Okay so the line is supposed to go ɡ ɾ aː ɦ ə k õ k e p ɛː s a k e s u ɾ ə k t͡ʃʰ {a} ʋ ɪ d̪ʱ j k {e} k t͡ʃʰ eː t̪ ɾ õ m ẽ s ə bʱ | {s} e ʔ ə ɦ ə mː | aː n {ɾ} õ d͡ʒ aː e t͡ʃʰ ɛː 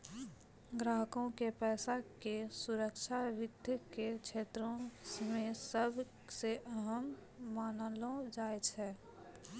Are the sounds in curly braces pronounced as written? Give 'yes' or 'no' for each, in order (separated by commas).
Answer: yes, yes, yes, no